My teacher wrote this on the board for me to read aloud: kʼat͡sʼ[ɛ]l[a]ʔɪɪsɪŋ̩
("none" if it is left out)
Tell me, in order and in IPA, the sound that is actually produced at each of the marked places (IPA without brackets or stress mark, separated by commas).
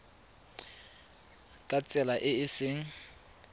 ɛ, a